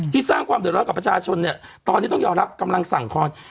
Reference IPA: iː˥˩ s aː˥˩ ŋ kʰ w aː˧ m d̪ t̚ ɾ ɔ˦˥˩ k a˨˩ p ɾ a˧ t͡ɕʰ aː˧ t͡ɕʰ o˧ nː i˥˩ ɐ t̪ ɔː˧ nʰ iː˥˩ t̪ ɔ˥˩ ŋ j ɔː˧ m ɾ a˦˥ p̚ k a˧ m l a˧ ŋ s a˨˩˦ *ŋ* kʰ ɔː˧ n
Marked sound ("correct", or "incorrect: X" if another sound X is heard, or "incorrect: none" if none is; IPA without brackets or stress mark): correct